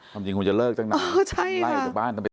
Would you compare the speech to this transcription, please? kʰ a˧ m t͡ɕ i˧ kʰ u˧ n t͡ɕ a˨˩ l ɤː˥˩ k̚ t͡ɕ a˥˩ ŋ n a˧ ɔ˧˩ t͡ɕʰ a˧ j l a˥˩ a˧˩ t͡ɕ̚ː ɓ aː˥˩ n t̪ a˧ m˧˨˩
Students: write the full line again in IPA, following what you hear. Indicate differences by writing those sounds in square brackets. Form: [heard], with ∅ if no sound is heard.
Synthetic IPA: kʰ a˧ m t͡ɕ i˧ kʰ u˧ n t͡ɕ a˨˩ l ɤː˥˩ k̚ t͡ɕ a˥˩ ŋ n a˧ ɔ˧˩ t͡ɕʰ [a˥˩] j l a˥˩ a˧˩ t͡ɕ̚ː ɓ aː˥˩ n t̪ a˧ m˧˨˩